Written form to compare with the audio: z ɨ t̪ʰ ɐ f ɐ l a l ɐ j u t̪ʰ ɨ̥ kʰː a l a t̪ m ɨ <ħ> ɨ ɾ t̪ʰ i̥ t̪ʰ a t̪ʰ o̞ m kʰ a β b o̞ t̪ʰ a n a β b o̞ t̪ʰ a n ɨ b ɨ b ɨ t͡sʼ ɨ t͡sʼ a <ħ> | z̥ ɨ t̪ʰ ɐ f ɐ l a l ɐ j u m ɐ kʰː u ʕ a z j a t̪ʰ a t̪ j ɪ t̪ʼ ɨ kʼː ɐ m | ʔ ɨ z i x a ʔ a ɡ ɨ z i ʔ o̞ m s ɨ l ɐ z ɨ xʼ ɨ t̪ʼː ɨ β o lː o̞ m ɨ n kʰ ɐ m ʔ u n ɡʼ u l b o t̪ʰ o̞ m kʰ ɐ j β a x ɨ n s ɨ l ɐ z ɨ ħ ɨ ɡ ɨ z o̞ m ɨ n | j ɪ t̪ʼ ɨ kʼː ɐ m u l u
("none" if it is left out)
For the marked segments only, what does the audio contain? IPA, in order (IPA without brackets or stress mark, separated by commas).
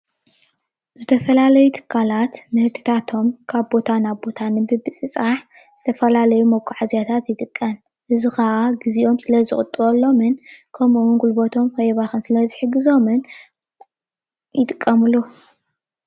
h, ħ